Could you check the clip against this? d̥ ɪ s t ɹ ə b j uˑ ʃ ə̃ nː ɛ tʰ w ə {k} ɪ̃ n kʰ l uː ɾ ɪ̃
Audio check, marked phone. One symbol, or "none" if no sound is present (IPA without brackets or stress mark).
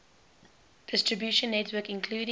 k